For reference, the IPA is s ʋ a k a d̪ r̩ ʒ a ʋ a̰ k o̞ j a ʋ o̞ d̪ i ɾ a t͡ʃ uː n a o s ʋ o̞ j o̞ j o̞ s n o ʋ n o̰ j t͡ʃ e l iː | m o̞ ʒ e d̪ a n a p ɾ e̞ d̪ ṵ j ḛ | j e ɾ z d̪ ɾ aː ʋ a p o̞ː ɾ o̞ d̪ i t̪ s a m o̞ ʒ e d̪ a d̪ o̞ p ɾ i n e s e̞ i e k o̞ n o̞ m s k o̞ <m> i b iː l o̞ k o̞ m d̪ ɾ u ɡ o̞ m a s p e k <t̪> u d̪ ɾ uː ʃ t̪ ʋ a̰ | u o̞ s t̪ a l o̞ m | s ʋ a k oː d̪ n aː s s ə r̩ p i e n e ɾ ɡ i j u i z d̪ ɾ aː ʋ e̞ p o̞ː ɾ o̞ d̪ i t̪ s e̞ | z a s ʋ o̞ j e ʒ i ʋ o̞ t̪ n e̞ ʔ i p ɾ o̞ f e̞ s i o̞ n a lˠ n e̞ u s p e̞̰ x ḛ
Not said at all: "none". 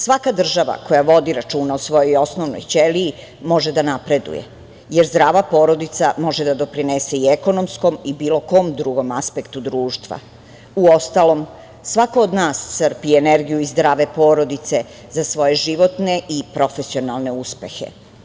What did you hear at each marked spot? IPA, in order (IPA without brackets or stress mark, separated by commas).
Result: m, t̪